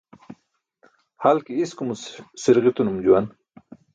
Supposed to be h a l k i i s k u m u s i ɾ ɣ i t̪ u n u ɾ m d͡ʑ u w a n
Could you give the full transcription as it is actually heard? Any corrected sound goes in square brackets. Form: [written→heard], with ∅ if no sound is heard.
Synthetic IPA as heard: h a l k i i s k u m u s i ɾ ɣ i t̪ u n u [ɾ→∅] m d͡ʑ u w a n